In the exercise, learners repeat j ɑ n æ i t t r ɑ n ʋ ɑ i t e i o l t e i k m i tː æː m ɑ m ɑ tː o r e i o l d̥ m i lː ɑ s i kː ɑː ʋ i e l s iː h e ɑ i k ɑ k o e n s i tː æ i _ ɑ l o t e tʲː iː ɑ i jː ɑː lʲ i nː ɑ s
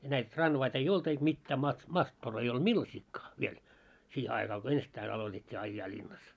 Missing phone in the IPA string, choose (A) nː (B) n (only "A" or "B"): B